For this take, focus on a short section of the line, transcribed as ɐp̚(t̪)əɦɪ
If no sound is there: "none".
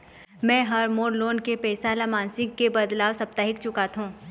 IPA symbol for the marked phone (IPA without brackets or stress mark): t̪